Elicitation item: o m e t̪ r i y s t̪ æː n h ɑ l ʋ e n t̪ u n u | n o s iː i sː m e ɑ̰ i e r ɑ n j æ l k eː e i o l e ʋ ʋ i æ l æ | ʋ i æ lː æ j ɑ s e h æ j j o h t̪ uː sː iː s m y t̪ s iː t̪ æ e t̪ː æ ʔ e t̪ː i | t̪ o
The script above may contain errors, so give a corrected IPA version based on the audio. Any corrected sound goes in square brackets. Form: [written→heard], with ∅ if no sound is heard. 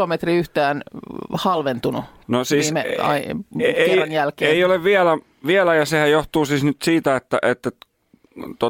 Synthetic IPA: o m e t̪ r i y [s→h] t̪ æː n h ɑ l ʋ e n t̪ u n u | n o s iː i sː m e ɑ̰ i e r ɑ n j æ l k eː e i o l e ʋ ʋ i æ l æ | ʋ i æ [lː→l] æ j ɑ s e h æ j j o h t̪ uː [sː→s] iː s [m→n] y t̪ s iː t̪ æ e t̪ː æ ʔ e t̪ː [i→æ] | t̪ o